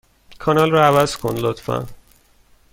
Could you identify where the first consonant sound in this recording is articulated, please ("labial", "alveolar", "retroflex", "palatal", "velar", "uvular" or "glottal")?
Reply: velar